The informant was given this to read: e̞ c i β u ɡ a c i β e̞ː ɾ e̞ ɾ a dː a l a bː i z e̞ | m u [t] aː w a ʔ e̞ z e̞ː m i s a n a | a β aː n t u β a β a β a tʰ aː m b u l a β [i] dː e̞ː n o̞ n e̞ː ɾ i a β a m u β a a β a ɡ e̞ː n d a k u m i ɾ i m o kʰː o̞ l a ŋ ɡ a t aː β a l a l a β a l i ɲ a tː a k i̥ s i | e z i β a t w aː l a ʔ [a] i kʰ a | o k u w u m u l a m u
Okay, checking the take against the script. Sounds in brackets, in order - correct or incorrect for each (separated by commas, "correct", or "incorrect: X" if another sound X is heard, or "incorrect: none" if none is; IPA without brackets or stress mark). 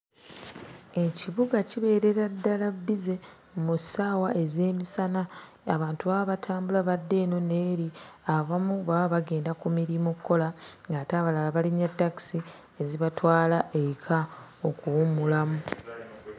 incorrect: s, incorrect: a, incorrect: e